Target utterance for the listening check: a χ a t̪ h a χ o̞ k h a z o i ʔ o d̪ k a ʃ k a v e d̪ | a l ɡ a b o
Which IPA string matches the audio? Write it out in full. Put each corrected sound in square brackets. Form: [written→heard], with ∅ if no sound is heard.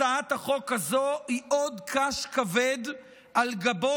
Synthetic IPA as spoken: a [χ→∅] a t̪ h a χ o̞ k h a z o i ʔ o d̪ k a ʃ k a v e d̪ | a l ɡ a b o